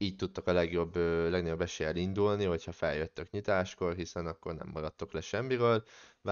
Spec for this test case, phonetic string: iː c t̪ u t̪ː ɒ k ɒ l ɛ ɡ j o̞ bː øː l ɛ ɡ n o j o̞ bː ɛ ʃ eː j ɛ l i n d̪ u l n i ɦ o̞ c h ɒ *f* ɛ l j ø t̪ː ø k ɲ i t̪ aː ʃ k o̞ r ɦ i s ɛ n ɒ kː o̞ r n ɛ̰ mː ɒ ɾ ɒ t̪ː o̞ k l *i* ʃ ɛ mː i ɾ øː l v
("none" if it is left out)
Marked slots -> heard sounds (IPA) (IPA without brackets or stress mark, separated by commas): f, ɛ